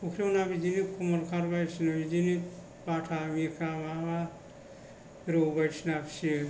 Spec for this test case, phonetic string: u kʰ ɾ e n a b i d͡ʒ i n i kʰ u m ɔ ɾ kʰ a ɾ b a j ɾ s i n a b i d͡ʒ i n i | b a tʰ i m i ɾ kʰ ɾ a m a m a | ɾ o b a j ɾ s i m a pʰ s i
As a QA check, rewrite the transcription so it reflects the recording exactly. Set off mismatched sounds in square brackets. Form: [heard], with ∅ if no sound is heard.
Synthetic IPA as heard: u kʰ ɾ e n a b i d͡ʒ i n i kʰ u m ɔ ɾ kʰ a ɾ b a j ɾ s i n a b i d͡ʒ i n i | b a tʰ [a] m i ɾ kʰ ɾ a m a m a | ɾ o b a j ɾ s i [n] a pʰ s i